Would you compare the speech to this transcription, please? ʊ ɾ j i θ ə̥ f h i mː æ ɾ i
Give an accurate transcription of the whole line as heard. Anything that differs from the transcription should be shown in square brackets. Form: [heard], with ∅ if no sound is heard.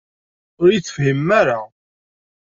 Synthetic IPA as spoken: ʊ ɾ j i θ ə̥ f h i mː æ ɾ [a]